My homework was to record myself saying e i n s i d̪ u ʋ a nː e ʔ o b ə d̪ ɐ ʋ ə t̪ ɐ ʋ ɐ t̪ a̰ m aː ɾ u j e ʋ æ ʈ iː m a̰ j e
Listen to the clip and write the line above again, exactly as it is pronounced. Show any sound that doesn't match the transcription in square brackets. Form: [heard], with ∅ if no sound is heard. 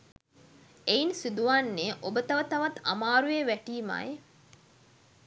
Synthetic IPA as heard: e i n s i d̪ u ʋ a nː e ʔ o b ə [t̪] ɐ ʋ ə t̪ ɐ ʋ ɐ t̪ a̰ m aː ɾ u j e ʋ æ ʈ iː m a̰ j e